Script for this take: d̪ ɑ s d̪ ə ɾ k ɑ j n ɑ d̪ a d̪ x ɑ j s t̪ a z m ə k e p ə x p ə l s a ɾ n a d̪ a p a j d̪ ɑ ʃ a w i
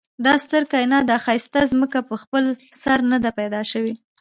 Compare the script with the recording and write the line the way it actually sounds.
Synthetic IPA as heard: d̪ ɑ s t̪ ə ɾ k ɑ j n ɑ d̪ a x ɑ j s t̪ a z m ə k a p ə x p ə l s a ɾ n a d̪ a p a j d̪ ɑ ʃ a w i